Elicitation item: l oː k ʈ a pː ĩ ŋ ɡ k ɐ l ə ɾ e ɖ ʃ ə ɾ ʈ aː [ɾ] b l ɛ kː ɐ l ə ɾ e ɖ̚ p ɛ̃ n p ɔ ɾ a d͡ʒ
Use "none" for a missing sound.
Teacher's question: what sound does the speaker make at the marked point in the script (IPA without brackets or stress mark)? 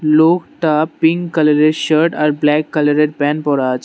ɾ